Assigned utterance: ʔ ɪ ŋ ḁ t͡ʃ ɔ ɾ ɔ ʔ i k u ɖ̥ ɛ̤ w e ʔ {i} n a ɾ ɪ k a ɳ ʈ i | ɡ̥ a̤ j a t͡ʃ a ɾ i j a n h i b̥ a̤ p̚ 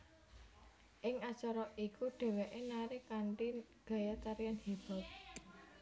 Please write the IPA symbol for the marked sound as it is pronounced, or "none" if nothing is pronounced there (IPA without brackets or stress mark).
e